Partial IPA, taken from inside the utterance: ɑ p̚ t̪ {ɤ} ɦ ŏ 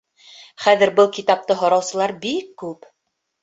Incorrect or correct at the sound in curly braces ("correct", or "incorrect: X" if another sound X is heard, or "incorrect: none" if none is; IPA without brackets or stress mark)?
correct